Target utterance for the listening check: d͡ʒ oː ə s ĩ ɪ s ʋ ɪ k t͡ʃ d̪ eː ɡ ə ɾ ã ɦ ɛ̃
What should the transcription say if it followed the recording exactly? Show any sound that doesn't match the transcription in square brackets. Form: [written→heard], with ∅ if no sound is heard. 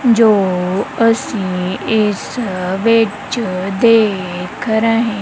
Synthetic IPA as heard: d͡ʒ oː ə s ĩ ɪ s ʋ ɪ [k→∅] t͡ʃ d̪ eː [ɡ→k] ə ɾ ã ɦ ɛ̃